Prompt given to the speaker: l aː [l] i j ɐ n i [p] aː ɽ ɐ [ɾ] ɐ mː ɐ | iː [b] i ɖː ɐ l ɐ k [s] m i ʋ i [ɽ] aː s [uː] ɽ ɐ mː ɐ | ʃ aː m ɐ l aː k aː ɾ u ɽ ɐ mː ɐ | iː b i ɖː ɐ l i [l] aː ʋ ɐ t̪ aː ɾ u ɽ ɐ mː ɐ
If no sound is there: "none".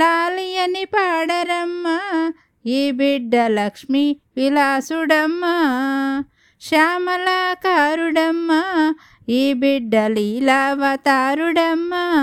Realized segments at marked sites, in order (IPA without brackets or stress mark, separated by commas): l, p, ɾ, b, ʂ, l, u, l